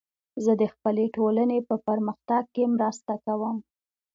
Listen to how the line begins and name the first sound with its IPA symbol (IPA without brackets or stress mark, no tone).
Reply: z